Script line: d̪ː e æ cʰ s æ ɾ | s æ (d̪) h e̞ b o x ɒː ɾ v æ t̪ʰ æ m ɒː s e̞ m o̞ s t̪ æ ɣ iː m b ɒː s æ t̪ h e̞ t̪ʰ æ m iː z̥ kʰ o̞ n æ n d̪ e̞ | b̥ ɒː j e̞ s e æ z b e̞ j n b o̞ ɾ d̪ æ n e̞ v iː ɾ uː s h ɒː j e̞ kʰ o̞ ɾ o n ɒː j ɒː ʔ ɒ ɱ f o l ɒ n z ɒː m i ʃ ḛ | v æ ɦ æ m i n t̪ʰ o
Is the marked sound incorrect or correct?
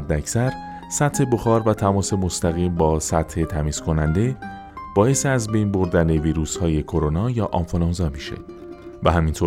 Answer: incorrect